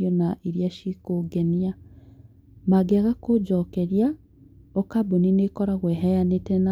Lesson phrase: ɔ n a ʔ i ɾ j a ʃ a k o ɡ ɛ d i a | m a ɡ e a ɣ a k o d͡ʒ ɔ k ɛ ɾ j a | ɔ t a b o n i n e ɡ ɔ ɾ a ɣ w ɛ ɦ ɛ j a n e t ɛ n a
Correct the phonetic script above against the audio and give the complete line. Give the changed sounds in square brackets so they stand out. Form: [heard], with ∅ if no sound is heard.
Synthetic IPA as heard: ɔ n a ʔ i ɾ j a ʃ [i] k o ɡ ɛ [n] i a | m a ɡ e a ɣ a k o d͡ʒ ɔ k ɛ ɾ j a | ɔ [k] a b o n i n e [k] ɔ ɾ a ɣ w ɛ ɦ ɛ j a n e t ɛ n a